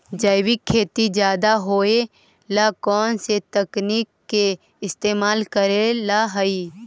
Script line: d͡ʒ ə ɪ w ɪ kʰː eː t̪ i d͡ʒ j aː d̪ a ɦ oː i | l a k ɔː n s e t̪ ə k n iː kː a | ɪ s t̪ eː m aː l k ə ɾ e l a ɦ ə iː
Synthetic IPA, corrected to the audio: d͡ʒ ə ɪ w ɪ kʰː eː t̪ i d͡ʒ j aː d̪ a ɦ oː e | l a k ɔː n s e t̪ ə k n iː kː e | ɪ s t̪ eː m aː l k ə ɾ e l a ɦ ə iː